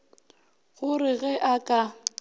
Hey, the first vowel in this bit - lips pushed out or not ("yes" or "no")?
yes